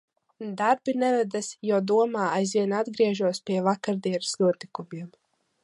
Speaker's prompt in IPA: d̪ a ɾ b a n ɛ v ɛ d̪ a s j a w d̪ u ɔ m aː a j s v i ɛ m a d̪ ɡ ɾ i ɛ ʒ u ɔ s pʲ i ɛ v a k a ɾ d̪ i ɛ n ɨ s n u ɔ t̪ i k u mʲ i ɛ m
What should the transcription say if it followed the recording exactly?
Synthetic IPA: d̪ a ɾ b i n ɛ v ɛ d̪ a s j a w d̪ u ɔ m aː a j z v i ɛ n a d̪ ɡ ɾ i ɛ ʒ u ɔ s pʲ i ɛ v a k a ɾ d̪ i ɛ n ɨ s n u ɔ t̪ i k u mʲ i ɛ m